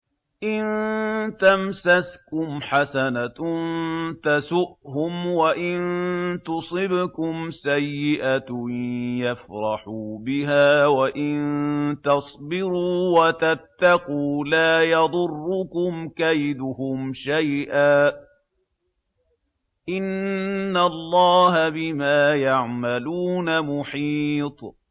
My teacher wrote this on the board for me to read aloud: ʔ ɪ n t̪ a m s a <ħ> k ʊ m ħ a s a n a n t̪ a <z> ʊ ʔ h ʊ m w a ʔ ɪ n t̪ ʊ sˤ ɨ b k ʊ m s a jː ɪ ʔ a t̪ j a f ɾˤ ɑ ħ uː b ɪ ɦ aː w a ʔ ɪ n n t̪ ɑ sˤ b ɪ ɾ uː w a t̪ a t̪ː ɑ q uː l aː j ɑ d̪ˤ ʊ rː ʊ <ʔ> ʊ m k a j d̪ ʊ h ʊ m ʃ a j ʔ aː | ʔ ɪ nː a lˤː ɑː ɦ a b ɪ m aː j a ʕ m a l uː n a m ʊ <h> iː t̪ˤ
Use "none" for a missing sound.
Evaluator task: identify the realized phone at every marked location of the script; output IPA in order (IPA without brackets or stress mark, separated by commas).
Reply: s, s, k, ħ